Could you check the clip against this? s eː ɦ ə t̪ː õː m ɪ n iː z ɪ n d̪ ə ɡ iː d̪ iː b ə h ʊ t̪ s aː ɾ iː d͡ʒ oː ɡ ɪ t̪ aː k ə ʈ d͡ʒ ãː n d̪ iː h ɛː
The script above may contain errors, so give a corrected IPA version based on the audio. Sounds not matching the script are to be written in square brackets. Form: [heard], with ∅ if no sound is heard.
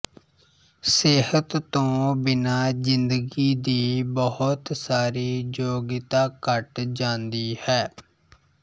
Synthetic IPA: s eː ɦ ə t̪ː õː [b] ɪ n [aː] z ɪ n d̪ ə ɡ iː d̪ iː b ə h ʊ t̪ s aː ɾ iː d͡ʒ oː ɡ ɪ t̪ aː k ə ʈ d͡ʒ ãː n d̪ iː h ɛː